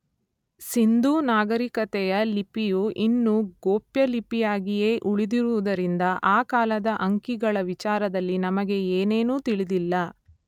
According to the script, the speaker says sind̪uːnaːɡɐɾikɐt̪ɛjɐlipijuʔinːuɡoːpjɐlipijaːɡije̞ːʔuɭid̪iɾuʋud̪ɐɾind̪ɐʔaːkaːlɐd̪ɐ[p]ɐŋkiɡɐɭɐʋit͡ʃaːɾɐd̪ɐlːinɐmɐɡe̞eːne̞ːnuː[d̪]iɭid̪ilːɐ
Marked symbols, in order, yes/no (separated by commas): no, no